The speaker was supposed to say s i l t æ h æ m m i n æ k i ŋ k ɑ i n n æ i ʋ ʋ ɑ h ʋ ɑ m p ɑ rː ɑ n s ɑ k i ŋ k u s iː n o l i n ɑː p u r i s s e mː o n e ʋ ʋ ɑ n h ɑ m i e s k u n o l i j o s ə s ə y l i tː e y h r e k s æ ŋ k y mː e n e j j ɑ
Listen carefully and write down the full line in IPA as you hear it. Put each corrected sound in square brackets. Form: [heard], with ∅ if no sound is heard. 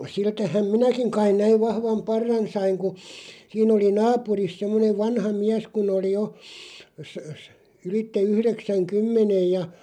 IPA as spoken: s i l t æ h æ m m i n æ k i ŋ k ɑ i n n æ i ʋ ʋ ɑ h ʋ ɑ m p ɑ rː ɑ n s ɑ [∅] i ŋ k u s iː n o l i n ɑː p u r i s s e mː o n e ʋ ʋ ɑ n h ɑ m i [æ] s k u n o l i j o s ə s ə y l i tː e y h r e k s æ ŋ k y mː e n e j j ɑ